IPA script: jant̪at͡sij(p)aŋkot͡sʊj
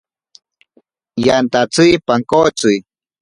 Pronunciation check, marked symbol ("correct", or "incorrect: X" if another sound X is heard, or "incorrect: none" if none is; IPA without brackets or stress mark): correct